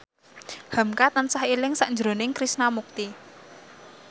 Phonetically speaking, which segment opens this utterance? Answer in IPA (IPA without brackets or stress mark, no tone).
h